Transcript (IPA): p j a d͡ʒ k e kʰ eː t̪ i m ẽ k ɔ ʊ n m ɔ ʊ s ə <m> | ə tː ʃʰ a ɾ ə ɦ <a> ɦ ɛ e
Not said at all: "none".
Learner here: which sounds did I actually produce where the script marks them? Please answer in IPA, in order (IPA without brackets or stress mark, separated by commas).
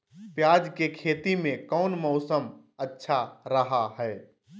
m, a